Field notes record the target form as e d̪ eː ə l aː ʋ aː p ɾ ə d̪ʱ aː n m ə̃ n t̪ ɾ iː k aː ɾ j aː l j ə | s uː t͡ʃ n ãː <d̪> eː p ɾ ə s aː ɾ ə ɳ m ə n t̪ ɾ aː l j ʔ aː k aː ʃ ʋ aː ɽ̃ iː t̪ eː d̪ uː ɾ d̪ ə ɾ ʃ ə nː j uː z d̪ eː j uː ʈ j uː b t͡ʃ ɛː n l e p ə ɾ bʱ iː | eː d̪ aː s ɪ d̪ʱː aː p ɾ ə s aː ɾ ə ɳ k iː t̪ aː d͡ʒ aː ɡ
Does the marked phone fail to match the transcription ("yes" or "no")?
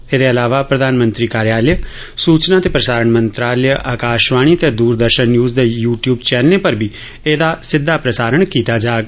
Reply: yes